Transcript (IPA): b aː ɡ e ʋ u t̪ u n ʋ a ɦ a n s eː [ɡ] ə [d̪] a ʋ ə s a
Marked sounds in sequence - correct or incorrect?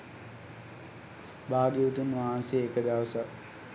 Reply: incorrect: k, correct

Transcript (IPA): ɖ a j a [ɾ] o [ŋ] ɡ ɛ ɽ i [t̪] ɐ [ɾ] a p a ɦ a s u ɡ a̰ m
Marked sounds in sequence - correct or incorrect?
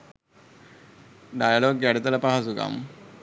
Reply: incorrect: l, incorrect: ɡ, correct, incorrect: l

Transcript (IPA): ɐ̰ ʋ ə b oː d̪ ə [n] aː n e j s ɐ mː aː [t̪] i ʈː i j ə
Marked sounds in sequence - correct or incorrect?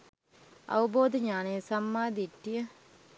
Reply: incorrect: ɲ, incorrect: d̪

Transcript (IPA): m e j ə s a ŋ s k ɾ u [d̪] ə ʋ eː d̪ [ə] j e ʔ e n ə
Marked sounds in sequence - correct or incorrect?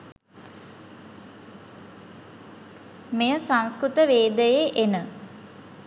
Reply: incorrect: t̪, correct

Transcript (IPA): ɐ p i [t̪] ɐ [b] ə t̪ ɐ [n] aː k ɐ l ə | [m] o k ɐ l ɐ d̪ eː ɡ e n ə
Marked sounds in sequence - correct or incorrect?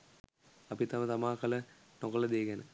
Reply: correct, incorrect: m, incorrect: m, incorrect: n

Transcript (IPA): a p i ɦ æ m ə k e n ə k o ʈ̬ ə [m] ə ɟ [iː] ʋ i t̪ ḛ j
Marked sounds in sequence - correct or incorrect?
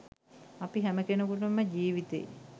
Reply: correct, correct

